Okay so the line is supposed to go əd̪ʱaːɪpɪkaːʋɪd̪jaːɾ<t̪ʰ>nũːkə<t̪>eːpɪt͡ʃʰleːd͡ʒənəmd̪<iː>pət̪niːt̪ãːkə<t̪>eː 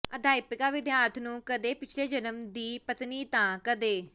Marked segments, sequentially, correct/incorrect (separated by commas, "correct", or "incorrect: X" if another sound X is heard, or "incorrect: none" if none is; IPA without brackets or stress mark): correct, incorrect: d̪, correct, incorrect: d̪